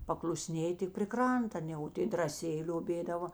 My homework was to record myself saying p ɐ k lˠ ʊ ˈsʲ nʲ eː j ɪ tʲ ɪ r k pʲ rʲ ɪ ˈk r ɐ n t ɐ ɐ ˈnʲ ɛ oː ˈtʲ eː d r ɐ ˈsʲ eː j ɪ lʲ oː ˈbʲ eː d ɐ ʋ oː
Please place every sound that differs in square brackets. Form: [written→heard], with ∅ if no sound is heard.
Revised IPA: p ɐ k lˠ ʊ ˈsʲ nʲ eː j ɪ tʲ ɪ [r→∅] k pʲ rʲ ɪ ˈk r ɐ n t ɐ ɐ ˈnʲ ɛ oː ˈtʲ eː d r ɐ ˈsʲ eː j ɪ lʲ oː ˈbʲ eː d ɐ ʋ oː